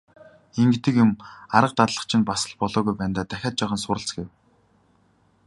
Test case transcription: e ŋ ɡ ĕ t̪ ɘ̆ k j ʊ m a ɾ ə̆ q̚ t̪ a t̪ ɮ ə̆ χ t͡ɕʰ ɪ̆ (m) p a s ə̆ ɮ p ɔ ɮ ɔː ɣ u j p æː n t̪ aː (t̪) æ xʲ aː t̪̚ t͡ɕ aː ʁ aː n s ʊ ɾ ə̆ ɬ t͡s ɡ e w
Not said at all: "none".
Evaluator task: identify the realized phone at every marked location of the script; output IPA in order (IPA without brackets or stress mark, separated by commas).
n, t̪